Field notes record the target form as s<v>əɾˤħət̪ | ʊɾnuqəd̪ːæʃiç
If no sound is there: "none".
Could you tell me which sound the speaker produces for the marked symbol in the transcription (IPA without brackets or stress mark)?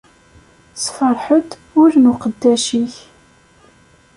f